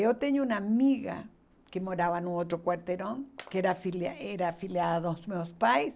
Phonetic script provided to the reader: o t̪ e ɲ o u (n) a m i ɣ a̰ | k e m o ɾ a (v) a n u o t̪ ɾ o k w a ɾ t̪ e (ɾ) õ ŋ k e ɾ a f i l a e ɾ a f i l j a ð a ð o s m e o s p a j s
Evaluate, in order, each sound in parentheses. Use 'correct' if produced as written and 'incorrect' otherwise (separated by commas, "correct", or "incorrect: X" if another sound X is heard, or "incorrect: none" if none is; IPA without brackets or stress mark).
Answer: correct, incorrect: β, correct